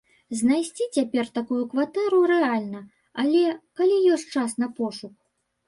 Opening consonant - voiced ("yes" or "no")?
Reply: yes